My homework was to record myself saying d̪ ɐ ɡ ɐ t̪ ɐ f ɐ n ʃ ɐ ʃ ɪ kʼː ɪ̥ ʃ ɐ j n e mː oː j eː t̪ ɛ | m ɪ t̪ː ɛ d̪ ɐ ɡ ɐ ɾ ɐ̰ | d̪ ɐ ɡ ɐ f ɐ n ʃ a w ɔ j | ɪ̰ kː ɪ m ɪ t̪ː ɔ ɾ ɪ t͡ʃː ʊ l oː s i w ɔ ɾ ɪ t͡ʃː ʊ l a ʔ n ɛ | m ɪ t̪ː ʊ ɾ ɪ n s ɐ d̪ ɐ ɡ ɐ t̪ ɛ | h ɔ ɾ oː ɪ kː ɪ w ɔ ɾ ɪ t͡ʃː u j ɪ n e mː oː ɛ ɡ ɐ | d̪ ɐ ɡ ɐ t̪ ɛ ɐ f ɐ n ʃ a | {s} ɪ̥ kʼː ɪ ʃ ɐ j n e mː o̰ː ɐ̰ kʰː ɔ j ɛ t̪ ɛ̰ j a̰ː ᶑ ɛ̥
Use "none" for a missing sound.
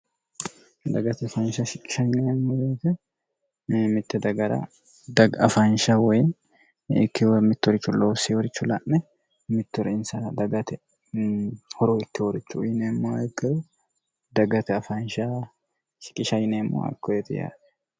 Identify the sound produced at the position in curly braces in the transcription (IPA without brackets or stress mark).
ʃ